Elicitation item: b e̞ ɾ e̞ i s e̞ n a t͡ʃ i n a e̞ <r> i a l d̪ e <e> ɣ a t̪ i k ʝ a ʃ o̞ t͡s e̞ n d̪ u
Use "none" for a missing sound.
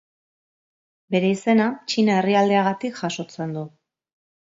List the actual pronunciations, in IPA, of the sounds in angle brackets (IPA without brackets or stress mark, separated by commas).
r, a